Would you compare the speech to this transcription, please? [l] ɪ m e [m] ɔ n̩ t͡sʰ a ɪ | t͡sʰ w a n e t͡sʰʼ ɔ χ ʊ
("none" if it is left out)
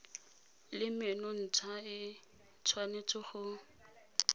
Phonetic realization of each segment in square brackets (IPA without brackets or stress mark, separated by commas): l, n